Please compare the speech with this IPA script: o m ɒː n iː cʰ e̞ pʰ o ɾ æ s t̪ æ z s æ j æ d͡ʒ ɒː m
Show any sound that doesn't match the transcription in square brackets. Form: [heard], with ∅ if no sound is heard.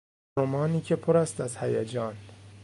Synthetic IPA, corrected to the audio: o m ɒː n iː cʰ e̞ pʰ o ɾ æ s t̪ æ z [h] æ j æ d͡ʒ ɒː [n]